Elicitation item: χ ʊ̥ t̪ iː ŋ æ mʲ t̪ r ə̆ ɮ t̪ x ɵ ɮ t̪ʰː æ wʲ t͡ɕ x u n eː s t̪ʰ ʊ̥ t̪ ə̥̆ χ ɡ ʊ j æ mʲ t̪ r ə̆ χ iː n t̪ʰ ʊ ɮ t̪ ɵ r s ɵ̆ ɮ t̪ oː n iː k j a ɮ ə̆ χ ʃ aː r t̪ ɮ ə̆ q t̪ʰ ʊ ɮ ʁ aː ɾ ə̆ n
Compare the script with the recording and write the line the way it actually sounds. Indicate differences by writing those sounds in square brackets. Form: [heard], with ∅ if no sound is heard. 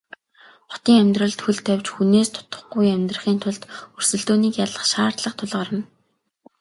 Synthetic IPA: χ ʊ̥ t̪ iː ŋ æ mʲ t̪ r ə̆ ɮ t̪ x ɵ ɮ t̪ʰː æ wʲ t͡ɕ x u n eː s t̪ʰ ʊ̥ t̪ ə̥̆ χ ɡ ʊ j æ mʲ t̪ r ə̆ χ iː n t̪ʰ ʊ ɮ t̪ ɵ r s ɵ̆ ɮ t̪ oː n iː k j a ɮ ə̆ χ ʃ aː r t̪ ɮ ə̆ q t̪ʰ ʊ ɮ ʁ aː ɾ ə̆ n